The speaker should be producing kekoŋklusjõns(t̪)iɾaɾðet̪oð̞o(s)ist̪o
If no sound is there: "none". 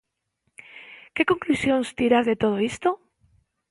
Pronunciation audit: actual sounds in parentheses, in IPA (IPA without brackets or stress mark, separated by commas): t̪, none